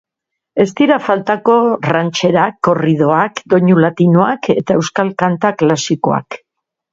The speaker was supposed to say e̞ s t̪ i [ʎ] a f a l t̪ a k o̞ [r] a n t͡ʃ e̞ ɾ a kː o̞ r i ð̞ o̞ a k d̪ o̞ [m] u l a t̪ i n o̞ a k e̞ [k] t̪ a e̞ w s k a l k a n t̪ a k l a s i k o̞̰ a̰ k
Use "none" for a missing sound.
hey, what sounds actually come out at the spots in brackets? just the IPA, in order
ɾ, r, ɲ, none

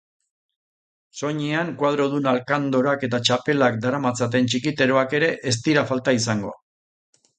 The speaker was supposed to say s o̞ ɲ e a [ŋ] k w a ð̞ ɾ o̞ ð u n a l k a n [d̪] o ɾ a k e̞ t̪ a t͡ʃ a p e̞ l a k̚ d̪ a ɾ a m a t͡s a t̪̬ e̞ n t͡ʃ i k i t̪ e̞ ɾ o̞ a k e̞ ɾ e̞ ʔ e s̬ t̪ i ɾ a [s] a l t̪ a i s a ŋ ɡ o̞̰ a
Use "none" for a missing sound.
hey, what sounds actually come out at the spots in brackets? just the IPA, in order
ŋ, d̪, f

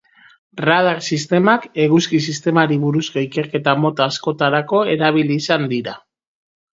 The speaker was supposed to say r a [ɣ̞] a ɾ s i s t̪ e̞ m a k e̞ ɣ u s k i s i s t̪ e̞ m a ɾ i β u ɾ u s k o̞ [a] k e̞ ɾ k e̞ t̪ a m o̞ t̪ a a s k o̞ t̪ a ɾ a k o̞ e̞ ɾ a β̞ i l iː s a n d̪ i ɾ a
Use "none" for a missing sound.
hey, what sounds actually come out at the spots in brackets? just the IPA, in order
ð̞, i

